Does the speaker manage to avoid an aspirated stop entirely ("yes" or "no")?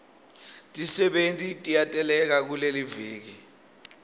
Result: yes